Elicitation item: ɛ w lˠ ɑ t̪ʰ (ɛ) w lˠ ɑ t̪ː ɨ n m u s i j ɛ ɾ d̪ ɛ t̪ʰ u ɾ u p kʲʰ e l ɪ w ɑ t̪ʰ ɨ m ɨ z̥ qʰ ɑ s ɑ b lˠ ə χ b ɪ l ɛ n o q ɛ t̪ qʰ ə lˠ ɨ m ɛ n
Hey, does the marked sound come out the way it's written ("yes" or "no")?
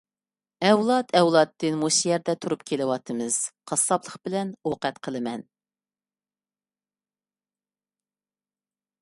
yes